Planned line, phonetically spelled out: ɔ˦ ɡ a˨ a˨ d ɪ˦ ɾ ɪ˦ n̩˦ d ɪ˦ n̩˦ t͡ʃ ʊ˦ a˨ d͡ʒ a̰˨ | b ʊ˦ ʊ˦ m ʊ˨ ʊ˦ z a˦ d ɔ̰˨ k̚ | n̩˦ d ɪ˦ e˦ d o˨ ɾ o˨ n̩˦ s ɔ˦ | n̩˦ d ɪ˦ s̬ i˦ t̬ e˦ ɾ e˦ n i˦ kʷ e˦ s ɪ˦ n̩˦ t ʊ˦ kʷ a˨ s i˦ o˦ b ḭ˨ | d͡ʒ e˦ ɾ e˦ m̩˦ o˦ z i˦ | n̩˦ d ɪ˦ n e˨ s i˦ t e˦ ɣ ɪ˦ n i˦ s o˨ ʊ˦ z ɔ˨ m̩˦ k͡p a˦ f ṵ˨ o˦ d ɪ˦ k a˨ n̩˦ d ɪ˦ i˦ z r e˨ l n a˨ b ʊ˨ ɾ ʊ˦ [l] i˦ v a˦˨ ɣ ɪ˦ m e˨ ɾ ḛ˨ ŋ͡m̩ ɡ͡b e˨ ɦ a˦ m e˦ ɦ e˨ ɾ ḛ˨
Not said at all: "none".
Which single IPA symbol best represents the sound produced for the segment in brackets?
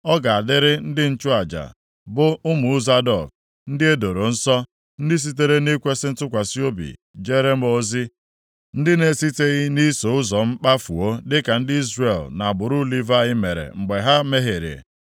l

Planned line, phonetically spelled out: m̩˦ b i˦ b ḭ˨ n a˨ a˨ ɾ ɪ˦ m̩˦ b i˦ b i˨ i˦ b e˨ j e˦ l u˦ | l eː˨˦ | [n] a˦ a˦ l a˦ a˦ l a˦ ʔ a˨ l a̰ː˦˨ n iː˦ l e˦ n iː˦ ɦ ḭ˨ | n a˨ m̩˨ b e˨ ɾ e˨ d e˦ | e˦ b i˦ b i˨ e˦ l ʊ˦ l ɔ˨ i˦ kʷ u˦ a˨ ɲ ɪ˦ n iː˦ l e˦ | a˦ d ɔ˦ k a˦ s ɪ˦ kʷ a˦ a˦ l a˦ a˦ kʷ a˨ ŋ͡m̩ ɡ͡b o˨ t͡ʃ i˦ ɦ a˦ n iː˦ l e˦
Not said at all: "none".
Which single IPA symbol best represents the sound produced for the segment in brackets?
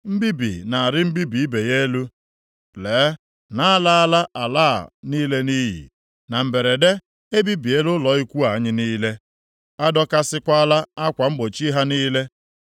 n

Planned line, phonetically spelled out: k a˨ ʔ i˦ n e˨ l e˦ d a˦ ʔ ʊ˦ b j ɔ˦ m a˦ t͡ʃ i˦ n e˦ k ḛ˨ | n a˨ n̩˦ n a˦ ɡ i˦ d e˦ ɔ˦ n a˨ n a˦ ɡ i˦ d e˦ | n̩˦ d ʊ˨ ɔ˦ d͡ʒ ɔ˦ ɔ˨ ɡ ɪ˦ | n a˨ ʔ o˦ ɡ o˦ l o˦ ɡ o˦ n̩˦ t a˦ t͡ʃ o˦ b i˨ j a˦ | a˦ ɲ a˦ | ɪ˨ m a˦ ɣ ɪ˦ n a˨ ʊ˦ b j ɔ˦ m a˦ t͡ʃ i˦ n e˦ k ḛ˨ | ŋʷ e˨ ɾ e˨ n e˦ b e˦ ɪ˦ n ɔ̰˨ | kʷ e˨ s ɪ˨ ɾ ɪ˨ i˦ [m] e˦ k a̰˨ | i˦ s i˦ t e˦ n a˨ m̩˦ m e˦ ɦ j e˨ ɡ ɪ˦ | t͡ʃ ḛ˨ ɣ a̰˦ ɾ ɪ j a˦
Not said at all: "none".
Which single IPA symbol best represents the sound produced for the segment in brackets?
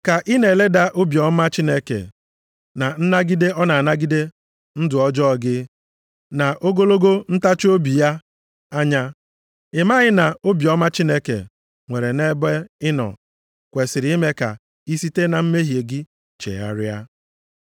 m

